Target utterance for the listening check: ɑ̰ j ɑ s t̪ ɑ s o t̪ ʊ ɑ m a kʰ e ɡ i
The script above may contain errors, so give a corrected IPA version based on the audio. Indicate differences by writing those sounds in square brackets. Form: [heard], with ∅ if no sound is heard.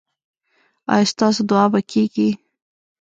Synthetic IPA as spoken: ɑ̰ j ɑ s t̪ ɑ s o [d̪] ʊ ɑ [b] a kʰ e ɡ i